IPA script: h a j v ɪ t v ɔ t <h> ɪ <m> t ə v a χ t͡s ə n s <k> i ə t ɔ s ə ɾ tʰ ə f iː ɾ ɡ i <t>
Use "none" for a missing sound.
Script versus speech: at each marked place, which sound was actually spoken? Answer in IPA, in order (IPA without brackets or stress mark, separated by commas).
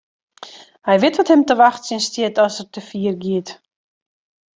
h, m, t, t